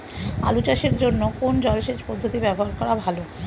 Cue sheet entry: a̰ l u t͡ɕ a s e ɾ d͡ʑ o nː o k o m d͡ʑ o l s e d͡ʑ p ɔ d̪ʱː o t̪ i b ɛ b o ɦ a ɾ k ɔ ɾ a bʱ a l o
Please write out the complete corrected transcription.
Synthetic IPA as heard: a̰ l u t͡ɕ a ʃ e ɾ d͡ʑ o nː o k o n d͡ʑ ɔ l ʃ e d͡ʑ p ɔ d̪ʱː o t̪ i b ɛ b o ɦ a ɾ k ɔ ɾ a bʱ a l o